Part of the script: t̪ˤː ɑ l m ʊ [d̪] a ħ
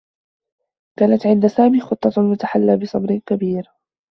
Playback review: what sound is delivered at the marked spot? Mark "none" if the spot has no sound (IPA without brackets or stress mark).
t̪